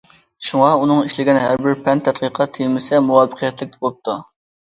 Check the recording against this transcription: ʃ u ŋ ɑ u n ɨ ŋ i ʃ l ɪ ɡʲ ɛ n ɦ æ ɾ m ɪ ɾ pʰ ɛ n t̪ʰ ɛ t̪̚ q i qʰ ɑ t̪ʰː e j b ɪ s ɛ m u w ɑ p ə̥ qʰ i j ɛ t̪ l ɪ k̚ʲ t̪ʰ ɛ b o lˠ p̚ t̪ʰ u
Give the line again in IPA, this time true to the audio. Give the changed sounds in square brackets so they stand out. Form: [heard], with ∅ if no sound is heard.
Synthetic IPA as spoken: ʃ u ŋ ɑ u n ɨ ŋ i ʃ l ɪ ɡʲ ɛ n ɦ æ ɾ [b] ɪ ɾ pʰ ɛ n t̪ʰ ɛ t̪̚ q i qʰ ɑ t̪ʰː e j [m] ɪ s ɛ m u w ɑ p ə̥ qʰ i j ɛ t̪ l ɪ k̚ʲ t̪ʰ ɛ b o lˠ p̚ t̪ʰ u